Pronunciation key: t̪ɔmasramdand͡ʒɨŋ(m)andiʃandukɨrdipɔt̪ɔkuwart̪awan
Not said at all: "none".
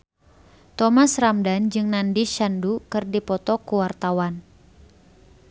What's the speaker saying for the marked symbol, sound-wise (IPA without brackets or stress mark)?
n